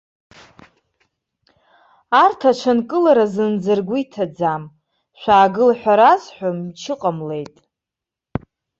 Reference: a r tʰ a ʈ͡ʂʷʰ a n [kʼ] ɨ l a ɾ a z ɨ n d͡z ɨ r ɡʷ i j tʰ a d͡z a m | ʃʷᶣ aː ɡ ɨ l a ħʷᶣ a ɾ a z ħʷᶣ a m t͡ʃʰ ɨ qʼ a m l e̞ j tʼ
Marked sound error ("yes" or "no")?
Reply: no